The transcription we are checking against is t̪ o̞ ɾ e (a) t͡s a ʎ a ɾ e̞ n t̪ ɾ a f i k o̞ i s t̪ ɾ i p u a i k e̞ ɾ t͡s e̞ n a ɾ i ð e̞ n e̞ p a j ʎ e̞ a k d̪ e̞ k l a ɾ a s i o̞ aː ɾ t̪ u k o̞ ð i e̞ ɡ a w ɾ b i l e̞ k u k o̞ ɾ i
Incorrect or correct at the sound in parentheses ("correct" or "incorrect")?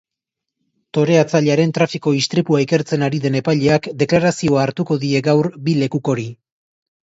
correct